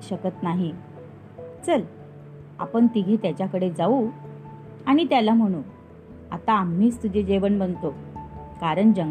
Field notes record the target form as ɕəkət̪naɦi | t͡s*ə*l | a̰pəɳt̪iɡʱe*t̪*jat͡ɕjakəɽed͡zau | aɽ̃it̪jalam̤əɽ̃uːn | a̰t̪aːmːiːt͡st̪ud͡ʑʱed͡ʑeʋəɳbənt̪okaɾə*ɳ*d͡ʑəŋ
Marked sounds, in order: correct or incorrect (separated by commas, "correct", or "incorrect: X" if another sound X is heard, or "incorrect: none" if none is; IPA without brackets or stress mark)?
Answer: correct, correct, correct